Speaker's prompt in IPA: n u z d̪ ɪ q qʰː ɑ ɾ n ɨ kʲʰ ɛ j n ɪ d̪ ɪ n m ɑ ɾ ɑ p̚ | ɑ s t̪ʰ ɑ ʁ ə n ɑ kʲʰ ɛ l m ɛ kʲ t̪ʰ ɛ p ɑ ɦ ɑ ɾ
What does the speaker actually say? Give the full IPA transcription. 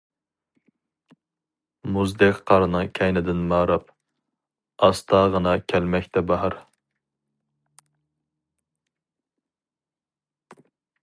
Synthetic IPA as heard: m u z d̪ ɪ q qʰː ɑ ɾ n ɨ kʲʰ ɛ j n ɪ d̪ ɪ n m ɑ ɾ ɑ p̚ | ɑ s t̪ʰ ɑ ʁ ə n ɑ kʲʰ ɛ l m ɛ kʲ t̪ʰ ɛ b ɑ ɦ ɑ ɾ

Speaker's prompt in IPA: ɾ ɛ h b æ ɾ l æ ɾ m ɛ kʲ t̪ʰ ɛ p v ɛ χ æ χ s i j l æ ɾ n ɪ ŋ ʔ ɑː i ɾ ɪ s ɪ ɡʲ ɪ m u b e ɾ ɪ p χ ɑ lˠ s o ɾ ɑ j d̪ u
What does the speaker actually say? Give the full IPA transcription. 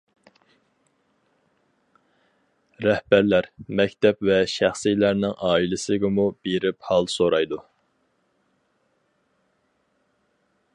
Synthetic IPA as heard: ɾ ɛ h b æ ɾ l æ ɾ m ɛ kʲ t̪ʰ ɛ p v ɛ ʃ æ χ s i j l æ ɾ n ɪ ŋ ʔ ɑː i l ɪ s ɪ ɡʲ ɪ m u b e ɾ ɪ p h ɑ lˠ s o ɾ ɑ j d̪ u

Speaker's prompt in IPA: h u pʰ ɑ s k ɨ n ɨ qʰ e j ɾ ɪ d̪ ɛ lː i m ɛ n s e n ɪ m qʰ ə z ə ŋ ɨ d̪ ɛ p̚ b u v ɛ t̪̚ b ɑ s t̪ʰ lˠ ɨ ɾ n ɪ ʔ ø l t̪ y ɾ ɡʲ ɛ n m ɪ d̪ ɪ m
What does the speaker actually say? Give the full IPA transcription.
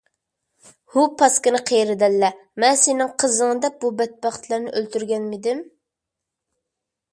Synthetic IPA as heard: h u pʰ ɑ s k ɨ n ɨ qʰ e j ɾ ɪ d̪ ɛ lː ɛ m ɛ n s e n ɪ ŋ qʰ ə z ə ŋ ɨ d̪ ɛ p̚ b u b ɛ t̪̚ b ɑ χ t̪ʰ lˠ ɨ ɾ n ɪ ʔ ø l t̪ y ɾ ɡʲ ɛ n m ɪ d̪ ɪ m

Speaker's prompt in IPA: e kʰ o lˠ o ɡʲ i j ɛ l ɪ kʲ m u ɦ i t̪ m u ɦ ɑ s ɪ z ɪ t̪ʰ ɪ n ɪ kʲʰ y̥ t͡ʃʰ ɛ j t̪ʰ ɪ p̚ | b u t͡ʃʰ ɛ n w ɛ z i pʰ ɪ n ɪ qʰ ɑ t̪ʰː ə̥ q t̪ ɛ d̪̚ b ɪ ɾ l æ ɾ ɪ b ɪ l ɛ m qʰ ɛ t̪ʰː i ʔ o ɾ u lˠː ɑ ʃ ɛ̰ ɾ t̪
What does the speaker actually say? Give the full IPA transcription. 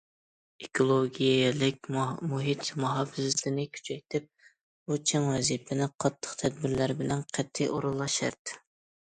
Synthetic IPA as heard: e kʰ o lˠ o ɡʲ i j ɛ l ɪ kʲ m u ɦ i t̪ m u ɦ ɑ f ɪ z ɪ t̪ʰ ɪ n ɪ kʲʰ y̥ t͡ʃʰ ɛ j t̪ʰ ɪ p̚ | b u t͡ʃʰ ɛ ŋ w ɛ z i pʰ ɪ n ɪ qʰ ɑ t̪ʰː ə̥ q t̪ʰ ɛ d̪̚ b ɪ ɾ l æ ɾ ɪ b ɪ l ɛ n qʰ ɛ t̪ʰː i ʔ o ɾ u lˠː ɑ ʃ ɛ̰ ɾ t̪

